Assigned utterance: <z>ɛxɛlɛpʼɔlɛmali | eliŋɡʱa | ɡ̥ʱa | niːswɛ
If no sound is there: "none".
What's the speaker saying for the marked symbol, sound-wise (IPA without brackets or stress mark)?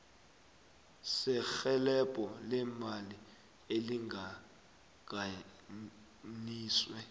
s